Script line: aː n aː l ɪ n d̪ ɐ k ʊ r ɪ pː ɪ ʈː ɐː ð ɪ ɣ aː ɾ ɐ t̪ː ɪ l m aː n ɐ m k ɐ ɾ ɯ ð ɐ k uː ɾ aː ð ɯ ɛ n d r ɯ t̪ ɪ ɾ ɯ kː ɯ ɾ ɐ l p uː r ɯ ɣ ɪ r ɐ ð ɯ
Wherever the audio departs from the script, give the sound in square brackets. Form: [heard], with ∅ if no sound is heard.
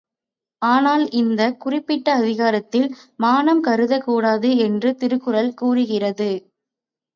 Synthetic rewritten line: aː n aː l ɪ n d̪ ɐ k ʊ r ɪ pː ɪ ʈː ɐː ð ɪ ɣ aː ɾ ɐ t̪ː ɪ l m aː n ɐ m k ɐ ɾ ɯ ð ɐ k uː [ɽ] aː ð ɯ ɛ n d r ɯ t̪ ɪ ɾ ɯ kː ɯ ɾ ɐ l [k] uː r ɯ ɣ ɪ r ɐ ð ɯ